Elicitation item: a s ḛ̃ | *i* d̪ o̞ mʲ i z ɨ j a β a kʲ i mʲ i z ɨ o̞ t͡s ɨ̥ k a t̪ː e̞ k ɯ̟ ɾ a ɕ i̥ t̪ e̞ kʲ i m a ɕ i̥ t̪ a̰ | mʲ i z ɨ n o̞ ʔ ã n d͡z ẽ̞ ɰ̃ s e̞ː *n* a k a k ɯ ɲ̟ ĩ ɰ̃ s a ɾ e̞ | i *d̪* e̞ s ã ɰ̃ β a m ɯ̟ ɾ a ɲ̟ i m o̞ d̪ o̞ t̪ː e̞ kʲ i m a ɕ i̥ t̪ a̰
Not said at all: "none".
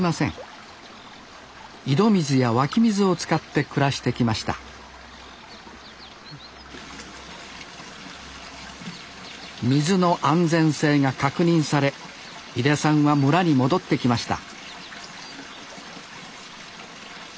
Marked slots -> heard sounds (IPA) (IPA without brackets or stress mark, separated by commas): i, ŋ, d̪